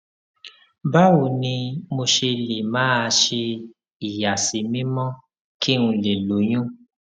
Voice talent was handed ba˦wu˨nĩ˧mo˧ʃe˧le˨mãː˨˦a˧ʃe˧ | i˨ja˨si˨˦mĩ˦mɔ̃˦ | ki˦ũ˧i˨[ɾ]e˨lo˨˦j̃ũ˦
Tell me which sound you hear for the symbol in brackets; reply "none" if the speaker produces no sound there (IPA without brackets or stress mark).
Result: l